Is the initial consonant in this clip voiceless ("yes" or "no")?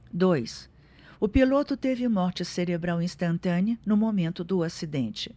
no